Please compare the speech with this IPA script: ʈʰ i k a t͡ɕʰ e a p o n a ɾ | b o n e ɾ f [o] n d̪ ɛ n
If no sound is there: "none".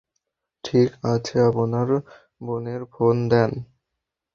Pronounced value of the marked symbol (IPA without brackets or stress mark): o